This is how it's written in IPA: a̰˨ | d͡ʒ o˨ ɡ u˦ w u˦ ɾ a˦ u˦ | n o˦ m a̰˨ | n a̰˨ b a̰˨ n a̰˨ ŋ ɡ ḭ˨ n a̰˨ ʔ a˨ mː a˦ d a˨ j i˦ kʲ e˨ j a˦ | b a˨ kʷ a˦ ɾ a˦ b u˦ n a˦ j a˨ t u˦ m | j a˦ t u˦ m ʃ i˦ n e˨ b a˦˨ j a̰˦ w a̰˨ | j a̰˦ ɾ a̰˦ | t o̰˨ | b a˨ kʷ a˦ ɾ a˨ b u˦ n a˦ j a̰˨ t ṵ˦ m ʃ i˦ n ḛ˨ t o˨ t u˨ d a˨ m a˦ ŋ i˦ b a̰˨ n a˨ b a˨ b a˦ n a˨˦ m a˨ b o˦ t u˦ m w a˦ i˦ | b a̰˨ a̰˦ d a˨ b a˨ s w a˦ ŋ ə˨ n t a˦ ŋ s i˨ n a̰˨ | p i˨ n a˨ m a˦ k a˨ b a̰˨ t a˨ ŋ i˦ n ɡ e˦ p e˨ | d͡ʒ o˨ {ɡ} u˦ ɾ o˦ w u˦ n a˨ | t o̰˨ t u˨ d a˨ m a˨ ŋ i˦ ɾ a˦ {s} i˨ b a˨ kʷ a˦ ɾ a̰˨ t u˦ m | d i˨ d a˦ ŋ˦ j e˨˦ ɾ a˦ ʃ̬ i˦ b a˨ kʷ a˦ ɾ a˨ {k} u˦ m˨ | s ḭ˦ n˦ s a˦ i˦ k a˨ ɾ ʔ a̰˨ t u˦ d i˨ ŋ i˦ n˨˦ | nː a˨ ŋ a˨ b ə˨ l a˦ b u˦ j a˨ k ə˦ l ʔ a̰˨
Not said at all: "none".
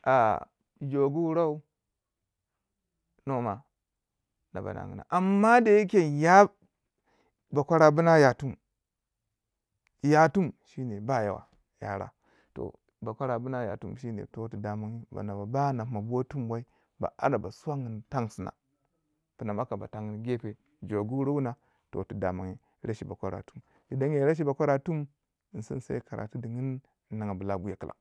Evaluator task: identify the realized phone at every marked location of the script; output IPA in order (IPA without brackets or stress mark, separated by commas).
ɡ, ʃ, t